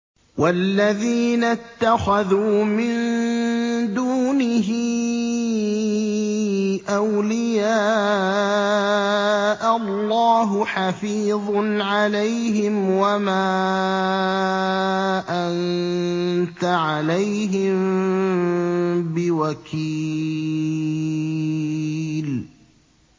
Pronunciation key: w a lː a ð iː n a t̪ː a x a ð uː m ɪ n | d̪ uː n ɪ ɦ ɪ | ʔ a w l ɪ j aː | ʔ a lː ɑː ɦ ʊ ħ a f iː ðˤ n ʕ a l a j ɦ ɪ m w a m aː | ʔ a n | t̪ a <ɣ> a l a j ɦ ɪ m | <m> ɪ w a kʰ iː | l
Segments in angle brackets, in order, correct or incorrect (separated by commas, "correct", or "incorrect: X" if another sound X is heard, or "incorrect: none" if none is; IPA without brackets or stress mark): incorrect: ʕ, incorrect: b